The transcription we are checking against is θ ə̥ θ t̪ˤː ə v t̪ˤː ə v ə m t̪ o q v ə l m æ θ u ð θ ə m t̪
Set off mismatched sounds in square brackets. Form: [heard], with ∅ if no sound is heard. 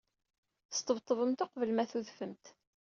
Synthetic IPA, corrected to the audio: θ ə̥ [s] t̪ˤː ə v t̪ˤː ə v ə m t̪ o q v ə l m æ θ u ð [f] ə m t̪